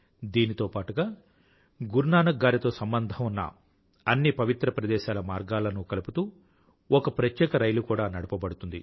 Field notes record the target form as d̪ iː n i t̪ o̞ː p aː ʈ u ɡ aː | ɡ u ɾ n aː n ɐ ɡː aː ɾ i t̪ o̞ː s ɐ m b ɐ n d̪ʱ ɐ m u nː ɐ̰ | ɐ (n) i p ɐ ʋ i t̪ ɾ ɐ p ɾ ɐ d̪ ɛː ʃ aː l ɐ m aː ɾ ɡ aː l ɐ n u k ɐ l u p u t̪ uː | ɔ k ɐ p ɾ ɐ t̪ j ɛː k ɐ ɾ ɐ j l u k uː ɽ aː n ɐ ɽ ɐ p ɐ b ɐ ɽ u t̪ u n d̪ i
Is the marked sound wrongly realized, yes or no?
yes